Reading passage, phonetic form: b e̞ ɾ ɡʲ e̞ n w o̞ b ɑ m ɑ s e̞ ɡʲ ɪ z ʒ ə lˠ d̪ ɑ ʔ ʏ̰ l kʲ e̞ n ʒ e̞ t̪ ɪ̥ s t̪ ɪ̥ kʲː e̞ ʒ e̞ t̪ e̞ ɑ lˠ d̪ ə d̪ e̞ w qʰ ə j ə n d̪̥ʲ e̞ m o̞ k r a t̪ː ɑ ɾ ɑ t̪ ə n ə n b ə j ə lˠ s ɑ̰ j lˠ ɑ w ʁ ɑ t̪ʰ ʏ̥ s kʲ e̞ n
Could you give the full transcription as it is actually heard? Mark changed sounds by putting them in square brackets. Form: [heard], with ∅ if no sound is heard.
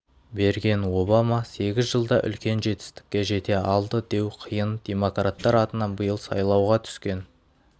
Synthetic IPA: b e̞ ɾ ɡʲ e̞ n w o̞ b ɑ m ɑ s e̞ ɡʲ ɪ z ʒ ə lˠ d̪ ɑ ʔ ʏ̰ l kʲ e̞ n ʒ e̞ t̪ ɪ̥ s t̪ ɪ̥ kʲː e̞ ʒ e̞ t̪ e̞ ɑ lˠ d̪ ə d̪ e̞ w qʰ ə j ə n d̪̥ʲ e̞ m o̞ k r a t̪ː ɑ ɾ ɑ t̪ ə n [ɑ] n b ə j ə lˠ s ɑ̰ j lˠ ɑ w ʁ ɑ t̪ʰ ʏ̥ s kʲ e̞ n